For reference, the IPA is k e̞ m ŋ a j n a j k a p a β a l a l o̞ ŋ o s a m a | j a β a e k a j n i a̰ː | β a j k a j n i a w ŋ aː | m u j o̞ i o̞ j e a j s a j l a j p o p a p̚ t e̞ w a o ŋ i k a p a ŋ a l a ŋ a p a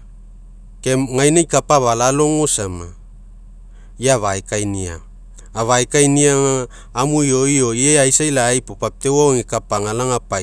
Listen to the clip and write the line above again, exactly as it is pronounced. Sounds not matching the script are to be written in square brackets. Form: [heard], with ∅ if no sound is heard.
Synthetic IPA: k e̞ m ŋ a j n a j k a p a β a l a l o̞ ŋ o s a m a | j a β a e k a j n i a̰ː | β a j k a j n i a [∅] ŋ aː | m u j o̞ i o̞ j e a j s a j l a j p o p a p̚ t e̞ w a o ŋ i k a p a ŋ a l a ŋ a p a